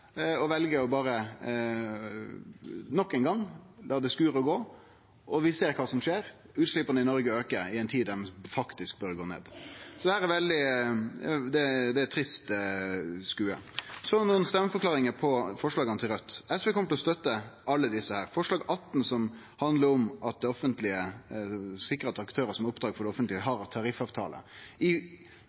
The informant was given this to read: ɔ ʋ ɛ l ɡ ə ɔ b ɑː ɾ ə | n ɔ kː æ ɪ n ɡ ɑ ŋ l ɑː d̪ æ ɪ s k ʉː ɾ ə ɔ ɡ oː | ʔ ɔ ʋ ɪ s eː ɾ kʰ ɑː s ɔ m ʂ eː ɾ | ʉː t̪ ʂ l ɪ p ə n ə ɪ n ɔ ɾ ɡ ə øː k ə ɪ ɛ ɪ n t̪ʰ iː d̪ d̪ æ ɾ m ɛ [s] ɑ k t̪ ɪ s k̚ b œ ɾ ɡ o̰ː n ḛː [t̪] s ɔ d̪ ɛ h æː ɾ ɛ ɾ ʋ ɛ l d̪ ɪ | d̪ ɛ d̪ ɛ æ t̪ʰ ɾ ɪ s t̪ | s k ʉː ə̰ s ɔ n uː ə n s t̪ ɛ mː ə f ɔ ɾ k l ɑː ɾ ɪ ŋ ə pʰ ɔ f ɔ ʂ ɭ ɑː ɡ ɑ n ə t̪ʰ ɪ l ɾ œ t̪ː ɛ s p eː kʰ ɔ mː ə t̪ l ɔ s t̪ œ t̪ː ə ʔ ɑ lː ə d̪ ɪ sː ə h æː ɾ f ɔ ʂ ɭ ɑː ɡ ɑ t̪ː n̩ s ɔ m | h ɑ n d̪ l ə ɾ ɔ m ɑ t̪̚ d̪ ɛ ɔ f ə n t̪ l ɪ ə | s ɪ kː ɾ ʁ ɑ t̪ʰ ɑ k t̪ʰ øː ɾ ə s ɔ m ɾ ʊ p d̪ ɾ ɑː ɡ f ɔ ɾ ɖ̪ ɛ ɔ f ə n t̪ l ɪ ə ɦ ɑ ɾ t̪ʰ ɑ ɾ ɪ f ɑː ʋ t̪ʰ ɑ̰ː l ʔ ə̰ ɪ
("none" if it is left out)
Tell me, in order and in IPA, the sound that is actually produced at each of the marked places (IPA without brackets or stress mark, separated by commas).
f, d̪